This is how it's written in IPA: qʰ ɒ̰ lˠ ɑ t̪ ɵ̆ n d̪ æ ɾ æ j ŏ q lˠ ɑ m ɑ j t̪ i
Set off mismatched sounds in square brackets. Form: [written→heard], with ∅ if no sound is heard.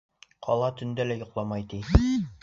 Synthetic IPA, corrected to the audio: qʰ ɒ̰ lˠ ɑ t̪ ɵ̆ n d̪ æ [ɾ→l] æ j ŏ q lˠ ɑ m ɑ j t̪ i